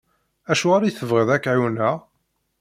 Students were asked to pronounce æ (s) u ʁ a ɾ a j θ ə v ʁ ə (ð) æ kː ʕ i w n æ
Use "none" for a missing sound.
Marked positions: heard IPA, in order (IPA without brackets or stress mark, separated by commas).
ʃ, ð